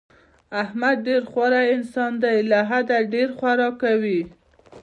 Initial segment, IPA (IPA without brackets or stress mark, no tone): a